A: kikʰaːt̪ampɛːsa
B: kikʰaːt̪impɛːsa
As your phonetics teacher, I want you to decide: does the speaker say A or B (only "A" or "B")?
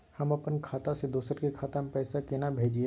A